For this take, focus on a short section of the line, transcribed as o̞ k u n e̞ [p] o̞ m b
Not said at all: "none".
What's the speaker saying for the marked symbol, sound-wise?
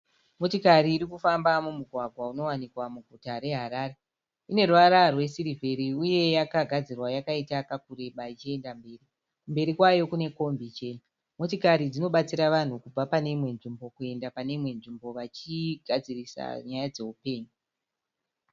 k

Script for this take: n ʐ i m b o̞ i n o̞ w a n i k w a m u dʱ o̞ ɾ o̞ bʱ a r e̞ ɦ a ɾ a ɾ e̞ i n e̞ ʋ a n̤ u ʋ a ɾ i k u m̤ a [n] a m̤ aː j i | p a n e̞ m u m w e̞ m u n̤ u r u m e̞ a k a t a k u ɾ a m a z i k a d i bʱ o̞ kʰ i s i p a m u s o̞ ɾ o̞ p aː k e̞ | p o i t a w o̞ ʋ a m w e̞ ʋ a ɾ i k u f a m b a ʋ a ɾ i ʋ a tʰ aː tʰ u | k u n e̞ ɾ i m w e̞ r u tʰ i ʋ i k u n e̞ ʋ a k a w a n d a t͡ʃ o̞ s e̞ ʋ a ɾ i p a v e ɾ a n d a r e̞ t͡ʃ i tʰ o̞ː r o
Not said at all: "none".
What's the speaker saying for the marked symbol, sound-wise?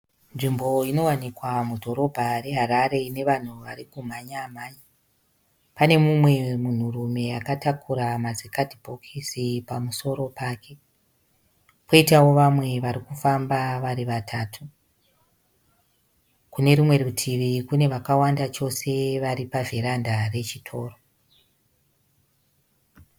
ɲ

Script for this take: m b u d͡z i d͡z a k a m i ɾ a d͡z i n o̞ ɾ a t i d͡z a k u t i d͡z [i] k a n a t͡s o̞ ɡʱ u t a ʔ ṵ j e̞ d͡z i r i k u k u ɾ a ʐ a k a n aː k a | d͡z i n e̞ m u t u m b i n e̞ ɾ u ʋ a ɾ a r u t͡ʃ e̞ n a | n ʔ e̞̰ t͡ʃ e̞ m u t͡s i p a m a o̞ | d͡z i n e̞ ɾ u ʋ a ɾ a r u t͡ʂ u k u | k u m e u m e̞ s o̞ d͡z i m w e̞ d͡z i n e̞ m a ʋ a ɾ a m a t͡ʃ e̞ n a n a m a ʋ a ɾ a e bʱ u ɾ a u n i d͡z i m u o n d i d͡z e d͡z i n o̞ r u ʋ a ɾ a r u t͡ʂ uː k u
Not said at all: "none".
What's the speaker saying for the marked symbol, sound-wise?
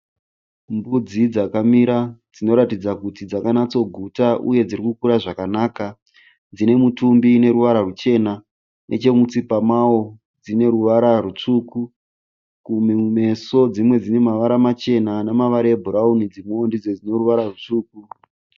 a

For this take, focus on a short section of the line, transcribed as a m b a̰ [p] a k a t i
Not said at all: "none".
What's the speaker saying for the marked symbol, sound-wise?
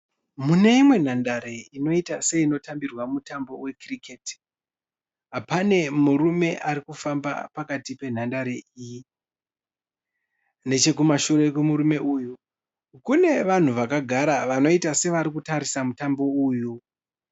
p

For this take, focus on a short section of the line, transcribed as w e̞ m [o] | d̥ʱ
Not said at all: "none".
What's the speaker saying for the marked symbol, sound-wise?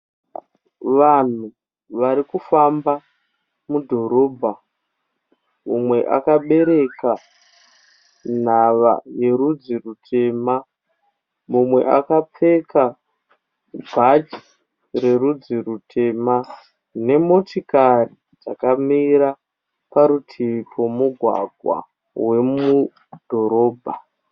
u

